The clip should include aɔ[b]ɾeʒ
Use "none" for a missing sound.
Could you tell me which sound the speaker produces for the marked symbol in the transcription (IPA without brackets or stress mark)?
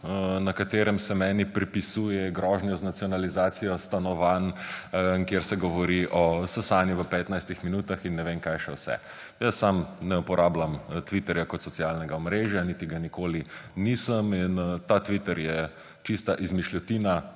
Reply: m